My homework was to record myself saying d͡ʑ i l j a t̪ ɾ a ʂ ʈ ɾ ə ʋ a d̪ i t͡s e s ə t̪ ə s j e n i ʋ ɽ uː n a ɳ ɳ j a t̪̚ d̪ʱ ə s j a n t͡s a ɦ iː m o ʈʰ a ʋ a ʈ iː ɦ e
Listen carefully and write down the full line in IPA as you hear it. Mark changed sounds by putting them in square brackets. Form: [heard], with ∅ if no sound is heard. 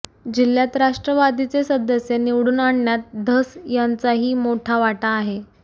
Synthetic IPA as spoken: d͡ʑ i l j a t̪ ɾ a ʂ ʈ ɾ ə ʋ a d̪ i t͡s e s ə [d̪] ə s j e n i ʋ ɽ uː n a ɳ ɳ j a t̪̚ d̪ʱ ə s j a n t͡s a ɦ iː m o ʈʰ a ʋ a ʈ [aː] ɦ e